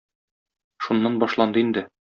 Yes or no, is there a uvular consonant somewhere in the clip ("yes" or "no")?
no